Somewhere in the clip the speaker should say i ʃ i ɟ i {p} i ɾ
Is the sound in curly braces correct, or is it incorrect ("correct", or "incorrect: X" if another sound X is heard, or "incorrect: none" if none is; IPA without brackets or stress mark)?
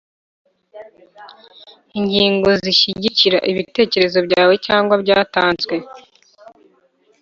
incorrect: c